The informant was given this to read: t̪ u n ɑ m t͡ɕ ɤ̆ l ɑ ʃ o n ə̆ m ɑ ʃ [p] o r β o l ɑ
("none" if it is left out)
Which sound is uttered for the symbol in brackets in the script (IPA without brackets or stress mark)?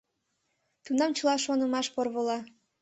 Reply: p